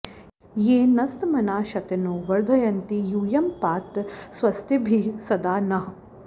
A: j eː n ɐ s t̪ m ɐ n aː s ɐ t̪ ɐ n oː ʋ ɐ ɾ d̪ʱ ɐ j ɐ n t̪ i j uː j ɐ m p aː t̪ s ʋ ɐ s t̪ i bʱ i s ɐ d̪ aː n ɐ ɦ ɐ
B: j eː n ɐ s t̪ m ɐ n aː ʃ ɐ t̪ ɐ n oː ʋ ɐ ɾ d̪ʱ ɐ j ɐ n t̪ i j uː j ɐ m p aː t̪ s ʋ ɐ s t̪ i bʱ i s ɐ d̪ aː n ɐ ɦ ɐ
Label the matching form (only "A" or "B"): B